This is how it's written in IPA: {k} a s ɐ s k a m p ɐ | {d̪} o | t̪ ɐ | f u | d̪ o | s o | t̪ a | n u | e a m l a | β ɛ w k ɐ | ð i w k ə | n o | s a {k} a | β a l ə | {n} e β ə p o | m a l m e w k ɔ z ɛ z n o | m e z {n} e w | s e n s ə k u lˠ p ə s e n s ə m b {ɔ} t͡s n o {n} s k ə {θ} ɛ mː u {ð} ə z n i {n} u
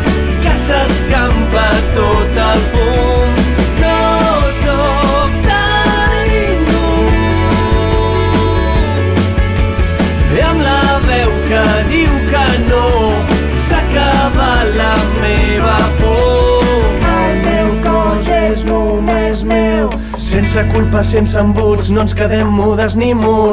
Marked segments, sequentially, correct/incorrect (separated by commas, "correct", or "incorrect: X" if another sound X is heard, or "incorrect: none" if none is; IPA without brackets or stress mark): correct, incorrect: t̪, correct, incorrect: m, incorrect: m, incorrect: u, correct, incorrect: ð, correct, incorrect: m